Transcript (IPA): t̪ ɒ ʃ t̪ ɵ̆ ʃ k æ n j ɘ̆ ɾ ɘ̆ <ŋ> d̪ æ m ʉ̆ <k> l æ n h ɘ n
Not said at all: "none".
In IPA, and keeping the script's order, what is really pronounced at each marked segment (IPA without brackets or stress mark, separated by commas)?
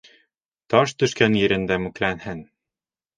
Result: n, k